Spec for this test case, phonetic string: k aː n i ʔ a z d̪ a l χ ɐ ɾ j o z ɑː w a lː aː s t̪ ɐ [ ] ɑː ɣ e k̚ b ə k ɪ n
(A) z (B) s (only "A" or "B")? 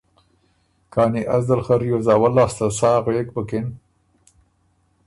B